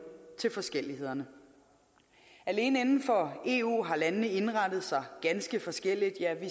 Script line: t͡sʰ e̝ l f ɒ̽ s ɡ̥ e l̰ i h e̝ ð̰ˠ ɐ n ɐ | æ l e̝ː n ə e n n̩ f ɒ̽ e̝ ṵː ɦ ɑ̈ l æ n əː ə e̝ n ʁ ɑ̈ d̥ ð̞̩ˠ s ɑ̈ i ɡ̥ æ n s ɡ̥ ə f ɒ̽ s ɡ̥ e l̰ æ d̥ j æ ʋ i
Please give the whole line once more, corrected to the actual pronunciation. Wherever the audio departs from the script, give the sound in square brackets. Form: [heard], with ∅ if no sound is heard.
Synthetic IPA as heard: t͡sʰ e̝ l f ɒ̽ s ɡ̥ e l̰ i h e̝ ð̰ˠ ɐ n [ə] | æ l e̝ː n ə e n n̩ f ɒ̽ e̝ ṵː ɦ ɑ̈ l æ n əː ə e̝ n ʁ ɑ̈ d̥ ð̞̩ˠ s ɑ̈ [ɪ] ɡ̥ æ n s ɡ̥ ə f ɒ̽ s ɡ̥ e l̰ [i] d̥ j æ ʋ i